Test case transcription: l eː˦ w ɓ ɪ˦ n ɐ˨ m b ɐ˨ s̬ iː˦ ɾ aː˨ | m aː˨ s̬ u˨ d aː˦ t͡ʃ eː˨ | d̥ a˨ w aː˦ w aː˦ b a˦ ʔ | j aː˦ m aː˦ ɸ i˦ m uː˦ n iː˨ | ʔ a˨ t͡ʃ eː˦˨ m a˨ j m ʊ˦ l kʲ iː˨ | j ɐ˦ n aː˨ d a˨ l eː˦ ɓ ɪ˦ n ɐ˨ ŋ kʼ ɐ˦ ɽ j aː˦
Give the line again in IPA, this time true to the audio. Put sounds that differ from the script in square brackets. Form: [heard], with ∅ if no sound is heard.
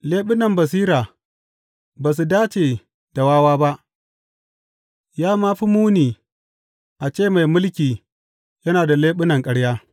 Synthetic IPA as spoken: l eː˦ [∅] ɓ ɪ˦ n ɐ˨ m b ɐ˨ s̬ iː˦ ɾ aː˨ | [b] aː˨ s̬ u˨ d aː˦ t͡ʃ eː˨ | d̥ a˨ w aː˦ w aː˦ b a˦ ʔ | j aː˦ m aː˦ ɸ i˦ m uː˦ n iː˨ | ʔ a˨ t͡ʃ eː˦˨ m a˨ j m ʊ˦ l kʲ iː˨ | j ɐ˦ n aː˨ d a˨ l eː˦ ɓ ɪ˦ n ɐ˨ ŋ kʼ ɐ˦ ɽ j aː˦

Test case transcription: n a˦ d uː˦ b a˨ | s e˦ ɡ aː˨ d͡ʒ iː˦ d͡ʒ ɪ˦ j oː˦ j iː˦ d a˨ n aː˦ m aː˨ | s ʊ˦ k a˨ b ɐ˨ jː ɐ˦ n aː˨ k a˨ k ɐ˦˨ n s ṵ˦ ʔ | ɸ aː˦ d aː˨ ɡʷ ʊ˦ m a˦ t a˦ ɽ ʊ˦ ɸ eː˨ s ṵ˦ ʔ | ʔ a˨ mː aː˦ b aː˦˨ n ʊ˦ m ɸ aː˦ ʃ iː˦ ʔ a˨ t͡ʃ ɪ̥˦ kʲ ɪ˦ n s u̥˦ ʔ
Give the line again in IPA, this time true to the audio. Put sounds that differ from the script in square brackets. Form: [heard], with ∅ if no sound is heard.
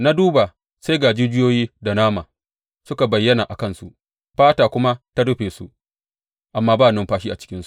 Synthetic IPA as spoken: n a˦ d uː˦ b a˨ | s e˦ ɡ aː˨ d͡ʒ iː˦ d͡ʒ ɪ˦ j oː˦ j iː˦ d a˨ n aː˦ m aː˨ | s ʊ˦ k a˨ b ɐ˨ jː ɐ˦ n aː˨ [ʔ] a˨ k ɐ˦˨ n s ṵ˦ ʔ | ɸ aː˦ [t] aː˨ [kʷ] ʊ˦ m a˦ t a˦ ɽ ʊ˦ ɸ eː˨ s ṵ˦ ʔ | ʔ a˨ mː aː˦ b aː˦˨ n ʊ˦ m ɸ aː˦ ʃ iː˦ ʔ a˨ t͡ʃ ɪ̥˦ kʲ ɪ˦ n s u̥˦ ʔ

